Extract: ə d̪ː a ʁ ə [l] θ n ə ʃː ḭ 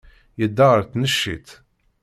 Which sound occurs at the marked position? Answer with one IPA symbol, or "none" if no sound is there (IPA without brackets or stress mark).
ɾ